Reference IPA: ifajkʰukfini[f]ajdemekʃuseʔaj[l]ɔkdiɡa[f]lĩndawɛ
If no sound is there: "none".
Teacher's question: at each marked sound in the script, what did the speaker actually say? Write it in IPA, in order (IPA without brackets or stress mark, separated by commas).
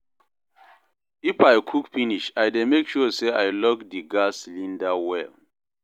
ʃ, l, s